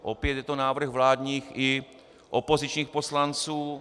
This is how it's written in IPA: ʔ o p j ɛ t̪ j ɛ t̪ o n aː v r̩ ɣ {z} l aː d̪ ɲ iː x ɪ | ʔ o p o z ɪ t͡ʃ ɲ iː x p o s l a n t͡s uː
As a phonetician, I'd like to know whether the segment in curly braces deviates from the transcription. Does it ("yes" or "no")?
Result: yes